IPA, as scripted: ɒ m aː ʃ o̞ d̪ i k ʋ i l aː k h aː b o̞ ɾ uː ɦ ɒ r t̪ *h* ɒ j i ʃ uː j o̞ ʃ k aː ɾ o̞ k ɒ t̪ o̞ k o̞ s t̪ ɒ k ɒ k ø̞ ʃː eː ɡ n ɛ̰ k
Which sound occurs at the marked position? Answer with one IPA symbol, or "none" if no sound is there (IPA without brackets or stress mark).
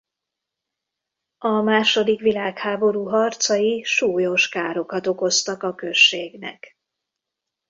s